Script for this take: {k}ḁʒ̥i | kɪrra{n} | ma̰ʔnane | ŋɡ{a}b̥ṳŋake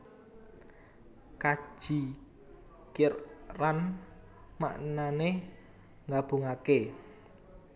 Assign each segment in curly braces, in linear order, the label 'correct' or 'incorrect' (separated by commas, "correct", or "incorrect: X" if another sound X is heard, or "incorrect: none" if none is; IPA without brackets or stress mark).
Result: correct, correct, correct